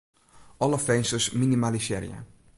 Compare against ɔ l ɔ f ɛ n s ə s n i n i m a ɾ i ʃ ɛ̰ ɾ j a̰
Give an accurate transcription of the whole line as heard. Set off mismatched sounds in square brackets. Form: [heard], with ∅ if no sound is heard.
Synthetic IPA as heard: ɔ l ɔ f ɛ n s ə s [m] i n i m a [l] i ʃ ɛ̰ ɾ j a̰

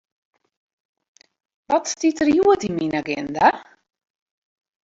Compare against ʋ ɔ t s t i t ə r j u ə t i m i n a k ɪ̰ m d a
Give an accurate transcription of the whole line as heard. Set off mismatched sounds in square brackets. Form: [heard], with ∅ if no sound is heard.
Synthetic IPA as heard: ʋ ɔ t s t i t ə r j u ə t i m i n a [ɡ] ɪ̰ [n] d a

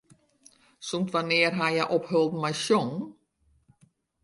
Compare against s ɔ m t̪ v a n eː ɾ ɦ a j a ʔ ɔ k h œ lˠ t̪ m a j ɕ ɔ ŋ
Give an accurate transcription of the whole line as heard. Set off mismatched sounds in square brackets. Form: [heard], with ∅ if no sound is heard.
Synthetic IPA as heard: s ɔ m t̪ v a n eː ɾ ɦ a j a ʔ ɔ [p] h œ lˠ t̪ m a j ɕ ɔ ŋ

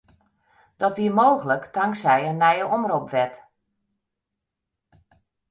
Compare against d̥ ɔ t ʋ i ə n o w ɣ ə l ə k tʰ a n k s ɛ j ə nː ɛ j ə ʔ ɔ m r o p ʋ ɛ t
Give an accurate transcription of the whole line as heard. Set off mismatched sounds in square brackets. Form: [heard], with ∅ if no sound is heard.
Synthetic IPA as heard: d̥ ɔ t ʋ i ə [m] o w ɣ ə l ə k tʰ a [ŋ] k s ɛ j ə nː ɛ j ə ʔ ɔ m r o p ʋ ɛ t

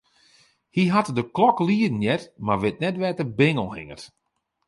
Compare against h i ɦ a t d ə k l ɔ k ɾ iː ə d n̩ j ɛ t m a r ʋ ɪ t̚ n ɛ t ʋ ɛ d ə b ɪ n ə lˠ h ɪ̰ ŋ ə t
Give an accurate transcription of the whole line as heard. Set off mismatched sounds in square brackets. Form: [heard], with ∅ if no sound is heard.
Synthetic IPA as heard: h i ɦ a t d ə k l ɔ k [l] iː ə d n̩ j ɛ t m a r ʋ ɪ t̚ n ɛ t ʋ ɛ [t] ə b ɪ [ŋ] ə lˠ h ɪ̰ ŋ ə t

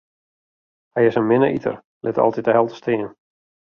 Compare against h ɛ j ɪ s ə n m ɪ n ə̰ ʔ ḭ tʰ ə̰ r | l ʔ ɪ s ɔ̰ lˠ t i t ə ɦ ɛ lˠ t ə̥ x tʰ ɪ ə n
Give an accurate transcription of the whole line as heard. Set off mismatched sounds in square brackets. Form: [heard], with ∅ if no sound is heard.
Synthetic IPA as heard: h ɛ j ɪ s ə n m ɪ n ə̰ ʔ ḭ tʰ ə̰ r | l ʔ ɪ [t] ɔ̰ lˠ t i t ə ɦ ɛ lˠ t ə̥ [s] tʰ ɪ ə n

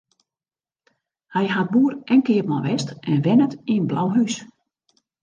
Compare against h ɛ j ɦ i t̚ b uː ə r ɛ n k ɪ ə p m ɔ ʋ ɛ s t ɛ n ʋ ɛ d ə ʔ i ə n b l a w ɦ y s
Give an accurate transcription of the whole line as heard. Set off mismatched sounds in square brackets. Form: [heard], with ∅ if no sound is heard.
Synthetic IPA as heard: h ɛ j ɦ [a] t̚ b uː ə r ɛ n k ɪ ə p m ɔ ʋ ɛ s t ɛ n ʋ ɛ [n] ə [t] i ə n b l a w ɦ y s

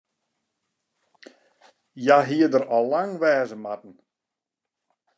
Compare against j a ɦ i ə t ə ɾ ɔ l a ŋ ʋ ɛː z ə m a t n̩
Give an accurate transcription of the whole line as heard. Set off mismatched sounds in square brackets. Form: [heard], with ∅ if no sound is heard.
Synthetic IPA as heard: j a ɦ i ə [d] ə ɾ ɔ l a ŋ ʋ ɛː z ə m a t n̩

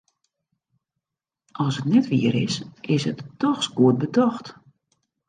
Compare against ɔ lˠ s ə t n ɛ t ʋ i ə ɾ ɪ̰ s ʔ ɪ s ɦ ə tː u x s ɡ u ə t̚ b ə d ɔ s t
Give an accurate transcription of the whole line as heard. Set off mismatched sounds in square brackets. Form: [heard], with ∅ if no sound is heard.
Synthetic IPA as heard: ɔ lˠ s ə t n ɛ t ʋ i ə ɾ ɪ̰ s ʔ ɪ s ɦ ə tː [ɔ] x s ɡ u ə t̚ b ə d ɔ [x] t

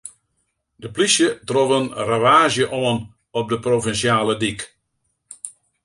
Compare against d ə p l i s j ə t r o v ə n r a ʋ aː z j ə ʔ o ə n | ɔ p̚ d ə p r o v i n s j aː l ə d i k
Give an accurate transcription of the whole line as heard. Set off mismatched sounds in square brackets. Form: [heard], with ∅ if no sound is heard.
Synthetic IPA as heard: d ə p l i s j ə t r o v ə n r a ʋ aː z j ə ʔ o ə n | ɔ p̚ d ə p r o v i n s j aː l ə d i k

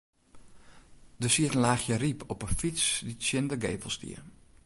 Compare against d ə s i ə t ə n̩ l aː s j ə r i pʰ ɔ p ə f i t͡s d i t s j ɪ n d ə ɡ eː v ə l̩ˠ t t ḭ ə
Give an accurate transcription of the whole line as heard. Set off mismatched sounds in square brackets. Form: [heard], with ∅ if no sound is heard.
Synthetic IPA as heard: d ə s i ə t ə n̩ l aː [x] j ə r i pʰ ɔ p ə f i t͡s d i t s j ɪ n d ə ɡ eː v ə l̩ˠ [s] t ḭ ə

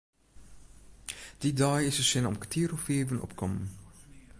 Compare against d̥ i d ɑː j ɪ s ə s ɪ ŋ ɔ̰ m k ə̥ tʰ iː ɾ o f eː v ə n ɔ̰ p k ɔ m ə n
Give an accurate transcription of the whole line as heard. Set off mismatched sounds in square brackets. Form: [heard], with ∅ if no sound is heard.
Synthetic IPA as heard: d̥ i d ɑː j ɪ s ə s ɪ [n] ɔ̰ m k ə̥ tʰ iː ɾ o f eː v ə n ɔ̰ p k ɔ m ə n

